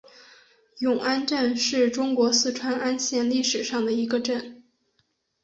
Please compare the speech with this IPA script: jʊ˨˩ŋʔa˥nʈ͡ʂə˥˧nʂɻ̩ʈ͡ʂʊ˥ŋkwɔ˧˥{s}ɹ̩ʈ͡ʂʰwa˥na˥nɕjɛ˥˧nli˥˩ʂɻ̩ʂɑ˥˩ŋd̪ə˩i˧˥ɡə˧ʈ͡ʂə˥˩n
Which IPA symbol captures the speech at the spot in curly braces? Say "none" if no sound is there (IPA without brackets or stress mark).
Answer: s